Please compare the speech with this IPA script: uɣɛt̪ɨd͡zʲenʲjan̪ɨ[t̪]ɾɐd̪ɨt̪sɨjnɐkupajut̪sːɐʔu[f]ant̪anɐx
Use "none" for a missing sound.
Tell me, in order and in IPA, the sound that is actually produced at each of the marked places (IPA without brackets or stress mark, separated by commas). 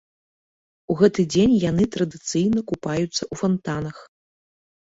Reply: t̪, f